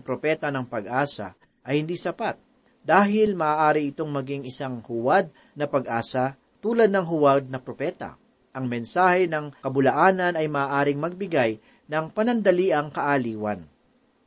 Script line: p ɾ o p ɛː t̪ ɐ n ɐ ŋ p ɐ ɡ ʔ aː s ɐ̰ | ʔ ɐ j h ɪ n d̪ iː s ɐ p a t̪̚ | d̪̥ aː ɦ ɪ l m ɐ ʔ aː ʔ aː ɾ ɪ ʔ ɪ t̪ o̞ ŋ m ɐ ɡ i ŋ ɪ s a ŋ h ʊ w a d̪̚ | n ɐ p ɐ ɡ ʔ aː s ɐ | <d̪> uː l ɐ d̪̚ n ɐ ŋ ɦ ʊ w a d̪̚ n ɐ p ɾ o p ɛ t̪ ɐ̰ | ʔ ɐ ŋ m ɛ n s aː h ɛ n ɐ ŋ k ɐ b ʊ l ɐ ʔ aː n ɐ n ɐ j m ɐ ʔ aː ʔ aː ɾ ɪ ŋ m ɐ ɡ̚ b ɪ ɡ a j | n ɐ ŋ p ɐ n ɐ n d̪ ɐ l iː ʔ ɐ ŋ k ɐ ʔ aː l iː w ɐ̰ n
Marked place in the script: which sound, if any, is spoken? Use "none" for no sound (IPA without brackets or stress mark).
t̪